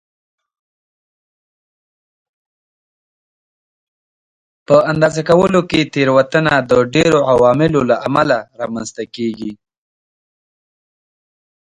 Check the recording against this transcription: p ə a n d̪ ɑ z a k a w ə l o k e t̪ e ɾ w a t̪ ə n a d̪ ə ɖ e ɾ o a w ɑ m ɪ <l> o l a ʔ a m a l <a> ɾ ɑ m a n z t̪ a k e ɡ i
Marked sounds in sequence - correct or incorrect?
correct, correct

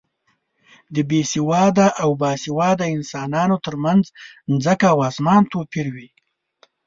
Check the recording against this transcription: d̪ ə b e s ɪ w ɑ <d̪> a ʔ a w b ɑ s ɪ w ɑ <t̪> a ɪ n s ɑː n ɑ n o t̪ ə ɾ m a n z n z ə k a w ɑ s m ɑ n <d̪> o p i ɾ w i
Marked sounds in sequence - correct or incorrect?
correct, incorrect, incorrect

